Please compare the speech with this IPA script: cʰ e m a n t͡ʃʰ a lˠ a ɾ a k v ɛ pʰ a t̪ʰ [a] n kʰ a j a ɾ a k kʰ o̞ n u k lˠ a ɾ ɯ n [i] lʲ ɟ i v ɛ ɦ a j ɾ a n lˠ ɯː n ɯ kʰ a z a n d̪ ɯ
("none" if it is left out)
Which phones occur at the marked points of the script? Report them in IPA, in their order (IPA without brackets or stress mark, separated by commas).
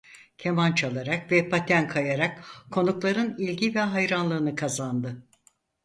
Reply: æ, i